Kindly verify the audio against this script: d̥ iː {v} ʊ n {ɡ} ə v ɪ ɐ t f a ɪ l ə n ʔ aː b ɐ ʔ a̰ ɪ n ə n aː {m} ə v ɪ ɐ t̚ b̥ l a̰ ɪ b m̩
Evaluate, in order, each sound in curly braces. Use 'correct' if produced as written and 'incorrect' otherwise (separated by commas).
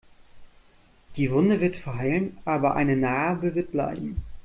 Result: correct, incorrect, incorrect